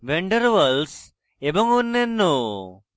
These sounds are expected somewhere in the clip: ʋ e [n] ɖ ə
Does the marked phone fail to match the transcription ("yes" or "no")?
yes